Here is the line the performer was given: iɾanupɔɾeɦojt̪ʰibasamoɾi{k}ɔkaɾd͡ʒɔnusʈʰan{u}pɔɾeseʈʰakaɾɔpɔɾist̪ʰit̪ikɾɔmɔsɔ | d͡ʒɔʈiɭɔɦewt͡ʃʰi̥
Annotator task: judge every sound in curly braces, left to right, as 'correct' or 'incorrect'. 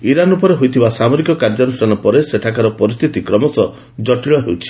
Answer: correct, incorrect: ɔ

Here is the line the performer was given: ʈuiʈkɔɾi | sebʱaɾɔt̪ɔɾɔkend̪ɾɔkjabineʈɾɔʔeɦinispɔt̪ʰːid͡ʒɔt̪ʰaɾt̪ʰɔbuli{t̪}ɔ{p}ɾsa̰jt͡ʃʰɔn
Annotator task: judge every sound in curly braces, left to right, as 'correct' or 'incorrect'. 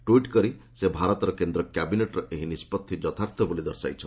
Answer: incorrect: d̪, incorrect: none

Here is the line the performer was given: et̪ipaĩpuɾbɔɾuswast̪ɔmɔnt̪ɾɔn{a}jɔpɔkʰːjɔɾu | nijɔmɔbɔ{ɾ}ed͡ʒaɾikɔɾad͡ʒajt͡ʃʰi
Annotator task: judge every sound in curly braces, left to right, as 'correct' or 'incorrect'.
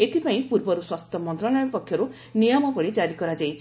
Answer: correct, incorrect: ɭ

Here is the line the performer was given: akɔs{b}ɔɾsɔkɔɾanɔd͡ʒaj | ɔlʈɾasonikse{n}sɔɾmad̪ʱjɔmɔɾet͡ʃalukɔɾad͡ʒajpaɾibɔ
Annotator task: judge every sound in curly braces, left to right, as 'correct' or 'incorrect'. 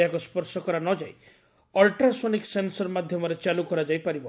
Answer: incorrect: p, correct

